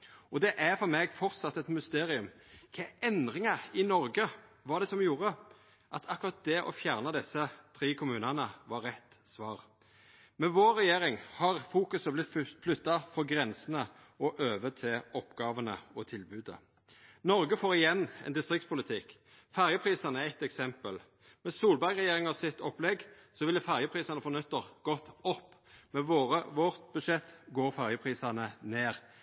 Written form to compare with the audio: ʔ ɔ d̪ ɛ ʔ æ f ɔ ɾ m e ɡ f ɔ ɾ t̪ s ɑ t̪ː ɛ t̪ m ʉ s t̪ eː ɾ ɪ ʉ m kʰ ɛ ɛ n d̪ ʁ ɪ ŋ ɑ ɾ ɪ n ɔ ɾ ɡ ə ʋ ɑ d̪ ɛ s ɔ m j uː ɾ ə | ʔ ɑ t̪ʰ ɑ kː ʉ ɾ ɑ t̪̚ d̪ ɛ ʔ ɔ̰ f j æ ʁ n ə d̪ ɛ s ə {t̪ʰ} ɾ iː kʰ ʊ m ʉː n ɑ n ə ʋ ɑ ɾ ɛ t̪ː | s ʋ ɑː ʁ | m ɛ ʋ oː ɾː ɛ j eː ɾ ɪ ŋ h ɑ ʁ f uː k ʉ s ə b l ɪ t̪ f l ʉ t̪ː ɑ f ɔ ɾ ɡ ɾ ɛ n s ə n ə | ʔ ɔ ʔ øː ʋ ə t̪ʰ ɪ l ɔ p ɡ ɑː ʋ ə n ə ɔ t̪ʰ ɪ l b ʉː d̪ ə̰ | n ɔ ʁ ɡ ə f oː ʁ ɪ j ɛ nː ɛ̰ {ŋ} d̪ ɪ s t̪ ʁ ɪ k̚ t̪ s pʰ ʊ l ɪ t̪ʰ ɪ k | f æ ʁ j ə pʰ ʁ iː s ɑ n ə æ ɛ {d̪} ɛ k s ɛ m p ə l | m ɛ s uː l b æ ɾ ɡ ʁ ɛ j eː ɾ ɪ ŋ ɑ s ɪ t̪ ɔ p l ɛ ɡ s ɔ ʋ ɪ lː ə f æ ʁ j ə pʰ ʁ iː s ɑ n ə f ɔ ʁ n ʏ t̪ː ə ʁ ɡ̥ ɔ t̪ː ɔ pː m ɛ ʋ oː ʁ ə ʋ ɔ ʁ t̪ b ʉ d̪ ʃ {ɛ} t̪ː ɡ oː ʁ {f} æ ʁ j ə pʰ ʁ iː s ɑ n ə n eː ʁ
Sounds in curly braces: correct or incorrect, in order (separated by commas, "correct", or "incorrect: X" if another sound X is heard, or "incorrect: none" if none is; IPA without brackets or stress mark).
correct, incorrect: n, incorrect: t̪, correct, correct